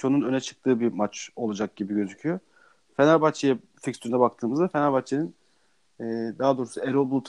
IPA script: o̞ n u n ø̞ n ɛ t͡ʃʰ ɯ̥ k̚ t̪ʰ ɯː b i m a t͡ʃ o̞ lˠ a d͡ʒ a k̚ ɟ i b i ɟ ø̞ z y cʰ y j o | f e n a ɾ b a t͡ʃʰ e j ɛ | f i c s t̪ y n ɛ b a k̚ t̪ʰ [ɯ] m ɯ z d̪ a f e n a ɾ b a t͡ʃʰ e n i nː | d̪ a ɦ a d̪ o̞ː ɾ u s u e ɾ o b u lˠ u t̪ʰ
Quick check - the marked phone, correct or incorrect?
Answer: incorrect